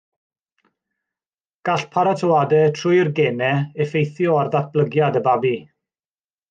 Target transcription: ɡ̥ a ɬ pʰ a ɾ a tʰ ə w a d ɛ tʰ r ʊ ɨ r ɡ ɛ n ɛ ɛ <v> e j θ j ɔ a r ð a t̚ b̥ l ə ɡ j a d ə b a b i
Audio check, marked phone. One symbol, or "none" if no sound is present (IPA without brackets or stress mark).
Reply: f